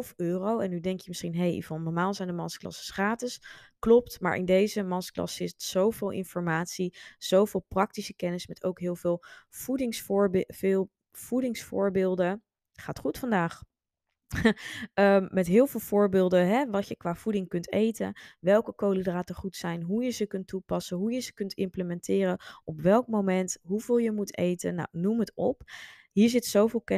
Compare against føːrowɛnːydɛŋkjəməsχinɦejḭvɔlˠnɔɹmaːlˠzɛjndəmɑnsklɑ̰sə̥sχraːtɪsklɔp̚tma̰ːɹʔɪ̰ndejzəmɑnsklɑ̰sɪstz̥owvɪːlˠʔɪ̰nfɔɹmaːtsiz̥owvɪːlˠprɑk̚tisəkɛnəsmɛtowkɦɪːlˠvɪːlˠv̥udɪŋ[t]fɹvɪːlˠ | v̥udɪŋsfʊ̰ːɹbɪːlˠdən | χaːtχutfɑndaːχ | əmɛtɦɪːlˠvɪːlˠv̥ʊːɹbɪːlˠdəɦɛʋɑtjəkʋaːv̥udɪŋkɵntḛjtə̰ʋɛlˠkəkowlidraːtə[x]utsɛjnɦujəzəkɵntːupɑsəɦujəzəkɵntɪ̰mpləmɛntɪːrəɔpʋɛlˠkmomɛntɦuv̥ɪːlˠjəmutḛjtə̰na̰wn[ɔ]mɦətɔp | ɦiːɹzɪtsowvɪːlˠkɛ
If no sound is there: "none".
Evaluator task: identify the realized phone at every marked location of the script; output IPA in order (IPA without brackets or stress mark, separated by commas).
s, χ, u